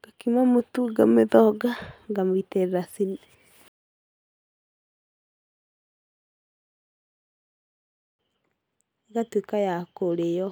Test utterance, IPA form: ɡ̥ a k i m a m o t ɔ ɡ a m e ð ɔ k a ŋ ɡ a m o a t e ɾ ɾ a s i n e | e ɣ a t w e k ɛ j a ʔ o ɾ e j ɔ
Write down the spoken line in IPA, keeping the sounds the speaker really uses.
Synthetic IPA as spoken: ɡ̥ a k i m a m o t u ɡ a m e ð ɔ ɡ a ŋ ɡ a m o i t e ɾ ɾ a s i n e | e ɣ a t w e k a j a k o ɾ e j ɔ